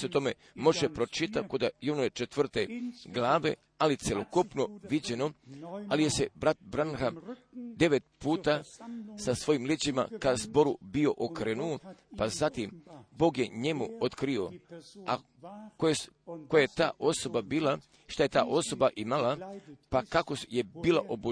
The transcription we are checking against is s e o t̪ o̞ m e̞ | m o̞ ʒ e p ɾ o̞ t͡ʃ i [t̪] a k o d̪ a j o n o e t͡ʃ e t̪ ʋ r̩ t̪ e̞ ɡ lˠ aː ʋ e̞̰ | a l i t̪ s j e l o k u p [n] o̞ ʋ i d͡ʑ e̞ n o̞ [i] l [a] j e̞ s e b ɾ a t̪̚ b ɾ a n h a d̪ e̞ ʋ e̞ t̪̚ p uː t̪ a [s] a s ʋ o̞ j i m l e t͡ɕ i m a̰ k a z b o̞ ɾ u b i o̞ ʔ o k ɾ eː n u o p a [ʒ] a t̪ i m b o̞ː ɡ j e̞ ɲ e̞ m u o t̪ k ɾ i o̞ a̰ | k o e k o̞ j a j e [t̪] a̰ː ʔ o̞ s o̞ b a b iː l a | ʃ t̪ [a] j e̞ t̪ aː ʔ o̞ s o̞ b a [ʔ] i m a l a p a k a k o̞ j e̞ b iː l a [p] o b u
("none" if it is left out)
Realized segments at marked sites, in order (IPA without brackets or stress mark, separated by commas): t̪, n, a, i, s, z, t̪, a, ʔ, ʔ